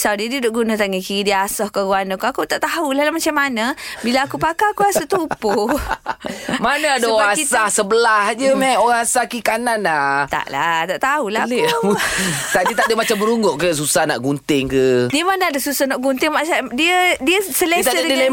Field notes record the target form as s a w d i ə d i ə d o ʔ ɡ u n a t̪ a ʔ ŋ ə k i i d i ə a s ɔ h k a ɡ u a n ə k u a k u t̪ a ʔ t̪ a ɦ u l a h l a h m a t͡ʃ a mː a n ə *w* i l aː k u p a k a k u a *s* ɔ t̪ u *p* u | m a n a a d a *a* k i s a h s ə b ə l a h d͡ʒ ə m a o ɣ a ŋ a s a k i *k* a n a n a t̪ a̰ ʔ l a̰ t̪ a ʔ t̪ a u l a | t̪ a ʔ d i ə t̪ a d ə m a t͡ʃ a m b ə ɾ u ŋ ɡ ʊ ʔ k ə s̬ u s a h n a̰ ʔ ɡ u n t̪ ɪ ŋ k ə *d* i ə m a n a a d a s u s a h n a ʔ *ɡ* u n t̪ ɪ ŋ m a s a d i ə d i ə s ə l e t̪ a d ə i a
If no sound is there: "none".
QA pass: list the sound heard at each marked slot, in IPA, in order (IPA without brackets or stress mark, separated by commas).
b, s, p, a, k, d, ɡ